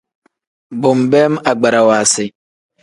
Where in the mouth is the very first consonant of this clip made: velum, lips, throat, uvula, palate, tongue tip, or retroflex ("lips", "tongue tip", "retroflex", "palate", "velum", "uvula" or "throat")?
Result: lips